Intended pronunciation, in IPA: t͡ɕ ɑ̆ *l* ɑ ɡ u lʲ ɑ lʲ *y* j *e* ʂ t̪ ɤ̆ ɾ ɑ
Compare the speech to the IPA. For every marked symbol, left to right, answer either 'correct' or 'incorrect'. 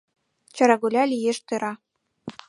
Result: incorrect, incorrect, correct

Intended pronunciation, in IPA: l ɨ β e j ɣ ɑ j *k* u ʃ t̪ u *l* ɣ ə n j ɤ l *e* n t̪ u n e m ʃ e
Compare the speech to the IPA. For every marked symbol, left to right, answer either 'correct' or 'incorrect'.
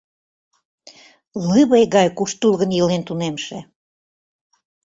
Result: correct, correct, correct

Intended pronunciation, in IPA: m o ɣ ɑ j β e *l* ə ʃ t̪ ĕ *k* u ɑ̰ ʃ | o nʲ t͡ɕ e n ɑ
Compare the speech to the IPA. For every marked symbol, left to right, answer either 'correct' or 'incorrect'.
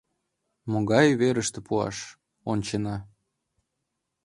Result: incorrect, incorrect

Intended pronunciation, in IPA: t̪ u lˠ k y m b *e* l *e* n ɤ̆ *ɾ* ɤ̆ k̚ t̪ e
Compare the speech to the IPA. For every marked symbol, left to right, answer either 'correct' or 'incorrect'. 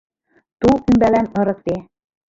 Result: incorrect, incorrect, correct

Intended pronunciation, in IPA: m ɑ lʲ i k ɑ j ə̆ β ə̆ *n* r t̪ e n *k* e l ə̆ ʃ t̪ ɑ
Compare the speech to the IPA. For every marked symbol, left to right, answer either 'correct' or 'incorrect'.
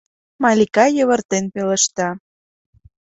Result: incorrect, incorrect

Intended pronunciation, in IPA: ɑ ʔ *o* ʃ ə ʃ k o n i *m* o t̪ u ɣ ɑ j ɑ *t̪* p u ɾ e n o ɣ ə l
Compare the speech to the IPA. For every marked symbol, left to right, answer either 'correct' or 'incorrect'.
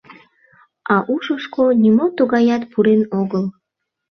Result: incorrect, correct, correct

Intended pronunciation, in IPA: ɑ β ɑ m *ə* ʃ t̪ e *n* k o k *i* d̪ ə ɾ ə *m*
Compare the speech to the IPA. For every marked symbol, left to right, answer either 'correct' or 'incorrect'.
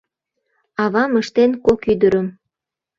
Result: correct, correct, incorrect, correct

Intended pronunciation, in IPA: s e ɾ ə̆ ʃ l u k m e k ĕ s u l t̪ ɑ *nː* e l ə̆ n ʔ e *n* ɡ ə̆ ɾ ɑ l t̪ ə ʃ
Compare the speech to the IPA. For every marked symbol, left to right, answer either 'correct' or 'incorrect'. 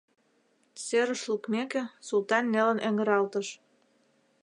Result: correct, incorrect

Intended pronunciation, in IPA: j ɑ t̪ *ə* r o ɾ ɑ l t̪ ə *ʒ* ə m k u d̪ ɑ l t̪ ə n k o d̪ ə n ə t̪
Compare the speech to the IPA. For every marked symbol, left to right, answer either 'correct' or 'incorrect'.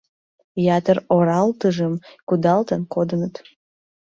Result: correct, correct

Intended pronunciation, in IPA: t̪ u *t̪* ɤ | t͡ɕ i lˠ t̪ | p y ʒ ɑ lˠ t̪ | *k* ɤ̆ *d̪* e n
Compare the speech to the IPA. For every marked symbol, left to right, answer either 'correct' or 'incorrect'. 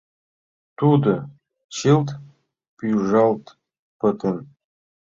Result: incorrect, incorrect, incorrect

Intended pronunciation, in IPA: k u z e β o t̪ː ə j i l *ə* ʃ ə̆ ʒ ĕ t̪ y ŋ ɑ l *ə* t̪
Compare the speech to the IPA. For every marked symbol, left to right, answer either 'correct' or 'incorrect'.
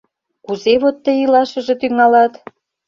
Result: incorrect, incorrect

